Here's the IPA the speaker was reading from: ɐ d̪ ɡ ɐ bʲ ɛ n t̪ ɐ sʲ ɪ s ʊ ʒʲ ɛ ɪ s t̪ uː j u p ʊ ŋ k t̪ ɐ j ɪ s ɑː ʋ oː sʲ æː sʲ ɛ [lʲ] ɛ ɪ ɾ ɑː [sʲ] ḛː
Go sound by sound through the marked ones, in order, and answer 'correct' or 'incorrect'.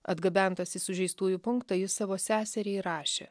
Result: incorrect: ɾʲ, incorrect: ʃʲ

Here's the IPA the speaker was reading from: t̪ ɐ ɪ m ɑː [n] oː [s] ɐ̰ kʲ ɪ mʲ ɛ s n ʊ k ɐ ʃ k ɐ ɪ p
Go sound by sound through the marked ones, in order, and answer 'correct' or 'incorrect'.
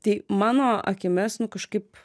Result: correct, incorrect: none

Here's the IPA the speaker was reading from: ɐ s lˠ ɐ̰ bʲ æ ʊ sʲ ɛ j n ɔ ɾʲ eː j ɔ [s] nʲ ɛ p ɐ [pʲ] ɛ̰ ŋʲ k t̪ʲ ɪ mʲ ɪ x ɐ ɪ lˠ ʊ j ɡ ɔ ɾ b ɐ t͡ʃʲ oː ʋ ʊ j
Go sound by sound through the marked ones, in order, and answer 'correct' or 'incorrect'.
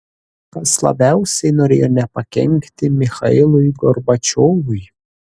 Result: incorrect: none, incorrect: kʲ

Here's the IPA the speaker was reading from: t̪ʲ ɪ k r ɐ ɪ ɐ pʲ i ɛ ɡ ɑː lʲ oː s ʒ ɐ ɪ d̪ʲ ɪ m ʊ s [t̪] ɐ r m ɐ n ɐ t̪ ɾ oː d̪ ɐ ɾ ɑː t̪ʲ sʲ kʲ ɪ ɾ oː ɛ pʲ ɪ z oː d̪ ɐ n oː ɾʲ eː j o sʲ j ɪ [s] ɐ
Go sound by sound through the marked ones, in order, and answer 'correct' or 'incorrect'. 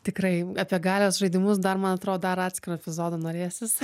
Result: incorrect: d̪, correct

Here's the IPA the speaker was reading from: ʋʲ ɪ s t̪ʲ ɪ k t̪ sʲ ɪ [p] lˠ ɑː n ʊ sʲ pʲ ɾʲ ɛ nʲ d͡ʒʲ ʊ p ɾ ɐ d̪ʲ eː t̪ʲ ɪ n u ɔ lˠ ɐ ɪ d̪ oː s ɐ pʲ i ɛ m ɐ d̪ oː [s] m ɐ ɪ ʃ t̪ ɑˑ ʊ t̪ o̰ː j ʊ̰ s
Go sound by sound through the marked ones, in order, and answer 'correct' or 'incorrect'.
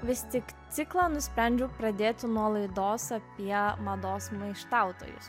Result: incorrect: k, correct

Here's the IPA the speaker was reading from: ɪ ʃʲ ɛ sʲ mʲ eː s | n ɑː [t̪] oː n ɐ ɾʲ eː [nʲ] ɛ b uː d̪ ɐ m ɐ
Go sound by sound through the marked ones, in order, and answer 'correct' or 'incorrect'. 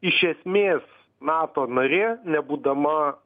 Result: correct, correct

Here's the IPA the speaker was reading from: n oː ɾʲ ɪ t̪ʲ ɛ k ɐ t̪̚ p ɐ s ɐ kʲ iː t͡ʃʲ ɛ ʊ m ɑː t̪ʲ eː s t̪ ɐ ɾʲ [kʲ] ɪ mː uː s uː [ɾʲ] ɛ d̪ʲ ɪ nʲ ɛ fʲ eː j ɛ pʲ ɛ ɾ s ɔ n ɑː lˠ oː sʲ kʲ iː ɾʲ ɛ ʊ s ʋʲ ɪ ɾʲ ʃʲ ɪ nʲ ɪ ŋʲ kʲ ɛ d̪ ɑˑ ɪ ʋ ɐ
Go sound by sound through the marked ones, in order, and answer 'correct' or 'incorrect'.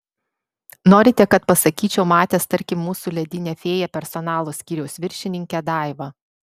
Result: correct, incorrect: lʲ

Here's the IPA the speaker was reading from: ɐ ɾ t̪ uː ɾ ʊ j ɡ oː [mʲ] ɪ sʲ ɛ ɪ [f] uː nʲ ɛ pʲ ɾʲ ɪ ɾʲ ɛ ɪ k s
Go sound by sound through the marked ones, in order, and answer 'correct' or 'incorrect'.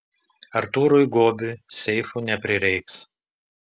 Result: incorrect: bʲ, correct

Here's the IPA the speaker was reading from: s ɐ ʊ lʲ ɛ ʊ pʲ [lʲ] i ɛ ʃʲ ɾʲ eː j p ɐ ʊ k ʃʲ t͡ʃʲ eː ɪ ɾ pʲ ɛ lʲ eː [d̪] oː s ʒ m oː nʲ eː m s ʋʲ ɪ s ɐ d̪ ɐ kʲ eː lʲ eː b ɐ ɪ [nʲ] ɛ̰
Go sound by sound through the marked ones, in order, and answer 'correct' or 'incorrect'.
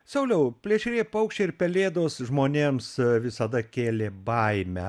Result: correct, correct, incorrect: mʲ

